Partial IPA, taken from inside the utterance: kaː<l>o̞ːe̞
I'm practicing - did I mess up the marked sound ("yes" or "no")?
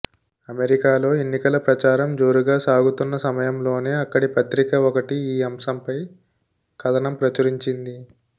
no